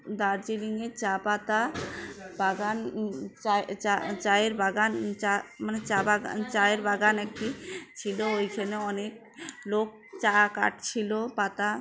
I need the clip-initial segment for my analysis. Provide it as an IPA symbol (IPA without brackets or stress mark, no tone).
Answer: d̪